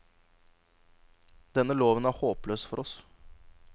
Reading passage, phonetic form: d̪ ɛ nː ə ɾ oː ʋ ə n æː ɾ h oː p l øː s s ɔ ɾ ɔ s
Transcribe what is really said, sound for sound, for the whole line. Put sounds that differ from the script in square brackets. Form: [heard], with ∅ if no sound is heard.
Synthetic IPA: d̪ ɛ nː ə [l] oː ʋ ə n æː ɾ h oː p l øː s [f] ɔ ɾ ɔ s